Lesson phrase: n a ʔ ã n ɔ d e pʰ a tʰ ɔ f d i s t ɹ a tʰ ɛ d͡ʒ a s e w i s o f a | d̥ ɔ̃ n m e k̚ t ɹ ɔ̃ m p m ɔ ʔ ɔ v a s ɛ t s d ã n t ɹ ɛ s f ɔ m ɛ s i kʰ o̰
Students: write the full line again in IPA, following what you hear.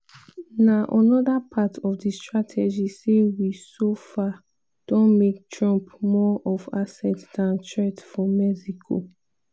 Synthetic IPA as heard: n a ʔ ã n ɔ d a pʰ a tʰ ɔ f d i s t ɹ a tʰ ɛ d͡ʒ i s e w i s o f a | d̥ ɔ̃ n m e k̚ t ɹ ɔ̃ m p m ɔ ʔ ɔ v a s ɛ t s d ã n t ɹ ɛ t f ɔ m ɛ s i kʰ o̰